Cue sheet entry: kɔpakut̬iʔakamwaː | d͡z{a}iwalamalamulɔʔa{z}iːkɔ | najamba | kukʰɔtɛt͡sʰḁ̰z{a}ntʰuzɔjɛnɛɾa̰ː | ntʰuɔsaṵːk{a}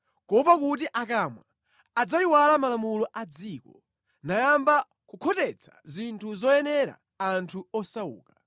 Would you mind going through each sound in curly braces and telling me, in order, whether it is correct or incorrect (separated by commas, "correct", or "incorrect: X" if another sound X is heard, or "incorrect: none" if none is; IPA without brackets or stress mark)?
correct, incorrect: d͡z, incorrect: i, correct